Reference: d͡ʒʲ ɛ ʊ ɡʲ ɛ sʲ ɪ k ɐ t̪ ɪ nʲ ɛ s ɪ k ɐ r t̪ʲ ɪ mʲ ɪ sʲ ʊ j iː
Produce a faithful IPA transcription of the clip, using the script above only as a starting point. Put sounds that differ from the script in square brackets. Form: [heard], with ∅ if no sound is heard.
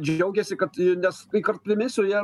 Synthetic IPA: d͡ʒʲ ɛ ʊ ɡʲ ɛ sʲ ɪ k ɐ t̪ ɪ nʲ ɛ s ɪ k ɐ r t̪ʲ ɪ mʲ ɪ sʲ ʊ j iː